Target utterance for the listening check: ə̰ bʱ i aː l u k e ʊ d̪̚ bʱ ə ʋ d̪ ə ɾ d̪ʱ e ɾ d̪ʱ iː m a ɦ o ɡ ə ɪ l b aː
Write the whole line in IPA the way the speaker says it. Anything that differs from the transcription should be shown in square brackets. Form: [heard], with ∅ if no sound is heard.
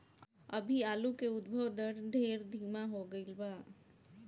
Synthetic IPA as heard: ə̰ bʱ i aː l u k e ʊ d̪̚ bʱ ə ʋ d̪ ə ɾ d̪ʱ e ɾ d̪ʱ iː m a ɦ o ɡ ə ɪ l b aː